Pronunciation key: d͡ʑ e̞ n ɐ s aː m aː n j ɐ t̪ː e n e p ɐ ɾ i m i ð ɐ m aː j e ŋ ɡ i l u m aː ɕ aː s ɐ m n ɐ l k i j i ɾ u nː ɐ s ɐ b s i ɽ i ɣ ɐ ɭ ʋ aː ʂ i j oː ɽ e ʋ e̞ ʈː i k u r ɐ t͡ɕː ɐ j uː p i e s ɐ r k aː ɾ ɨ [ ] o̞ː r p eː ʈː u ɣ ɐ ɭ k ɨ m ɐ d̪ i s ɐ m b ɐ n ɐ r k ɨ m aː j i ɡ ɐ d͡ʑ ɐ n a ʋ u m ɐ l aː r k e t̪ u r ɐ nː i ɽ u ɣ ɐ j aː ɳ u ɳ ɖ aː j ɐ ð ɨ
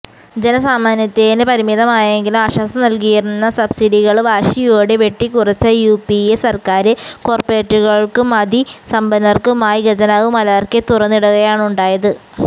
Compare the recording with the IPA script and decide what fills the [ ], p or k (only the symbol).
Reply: k